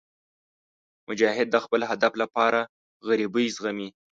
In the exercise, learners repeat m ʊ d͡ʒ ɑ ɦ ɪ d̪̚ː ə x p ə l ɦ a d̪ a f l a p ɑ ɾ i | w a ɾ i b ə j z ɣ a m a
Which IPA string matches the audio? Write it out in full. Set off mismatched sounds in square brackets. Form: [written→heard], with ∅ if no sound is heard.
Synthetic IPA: m ʊ d͡ʒ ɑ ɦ ɪ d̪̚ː ə x p ə l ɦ a d̪ a f l a p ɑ ɾ [i→a] | [w→ɣ] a ɾ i b ə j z ɣ a m [a→i]

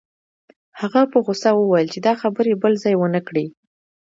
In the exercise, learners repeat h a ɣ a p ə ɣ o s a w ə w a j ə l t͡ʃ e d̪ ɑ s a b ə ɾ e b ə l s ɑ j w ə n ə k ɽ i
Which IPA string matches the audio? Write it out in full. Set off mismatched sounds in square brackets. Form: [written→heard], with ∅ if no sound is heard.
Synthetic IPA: h a ɣ a p ə ɣ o s a w ə w a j ə l t͡ʃ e d̪ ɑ [s→x] a b ə ɾ e b ə l [s→z] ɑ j w ə n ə k ɽ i

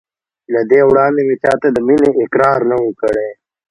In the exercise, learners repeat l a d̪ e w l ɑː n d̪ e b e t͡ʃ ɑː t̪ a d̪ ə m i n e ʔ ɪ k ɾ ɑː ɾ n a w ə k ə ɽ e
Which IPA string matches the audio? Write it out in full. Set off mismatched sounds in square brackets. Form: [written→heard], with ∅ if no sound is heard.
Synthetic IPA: l a d̪ e w [l→ɽ] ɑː n d̪ e [b→m] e t͡ʃ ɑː t̪ a d̪ ə m i n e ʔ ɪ k ɾ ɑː ɾ n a w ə k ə ɽ e

